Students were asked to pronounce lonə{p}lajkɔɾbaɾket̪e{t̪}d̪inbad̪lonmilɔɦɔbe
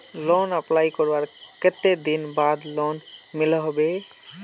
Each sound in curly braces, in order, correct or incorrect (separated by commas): correct, incorrect